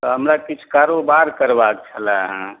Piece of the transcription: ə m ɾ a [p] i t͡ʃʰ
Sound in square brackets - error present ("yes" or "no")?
yes